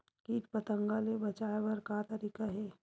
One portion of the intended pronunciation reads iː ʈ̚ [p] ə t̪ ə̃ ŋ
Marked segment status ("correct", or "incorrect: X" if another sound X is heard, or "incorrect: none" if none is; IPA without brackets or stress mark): correct